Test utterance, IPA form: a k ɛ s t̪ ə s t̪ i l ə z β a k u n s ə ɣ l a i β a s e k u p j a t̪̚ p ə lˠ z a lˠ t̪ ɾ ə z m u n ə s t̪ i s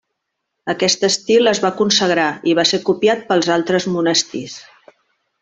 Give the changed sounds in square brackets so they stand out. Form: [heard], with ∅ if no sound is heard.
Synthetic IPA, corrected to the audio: [ə] k ɛ s t̪ ə s t̪ i l ə z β a k u n s ə ɣ [ɾ] a i β a s e k u p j a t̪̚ p ə lˠ z a lˠ t̪ ɾ ə z m u n ə s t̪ i s